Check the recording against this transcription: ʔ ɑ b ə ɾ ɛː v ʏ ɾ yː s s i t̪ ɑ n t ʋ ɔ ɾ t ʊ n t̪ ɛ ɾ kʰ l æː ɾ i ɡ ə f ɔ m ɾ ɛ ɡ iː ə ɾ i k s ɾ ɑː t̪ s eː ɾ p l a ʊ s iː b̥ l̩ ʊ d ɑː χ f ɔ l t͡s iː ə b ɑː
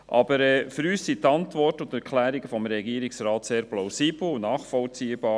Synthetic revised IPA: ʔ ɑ b ə ɾ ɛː f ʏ ɾ yː s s i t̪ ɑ n t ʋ ɔ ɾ t ʊ n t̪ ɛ ɾ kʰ l æː ɾ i ɡ ə f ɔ m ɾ ɛ ɡ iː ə ɾ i k s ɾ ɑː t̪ s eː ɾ p l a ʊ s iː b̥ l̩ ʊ n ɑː χ f ɔ l t͡s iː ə b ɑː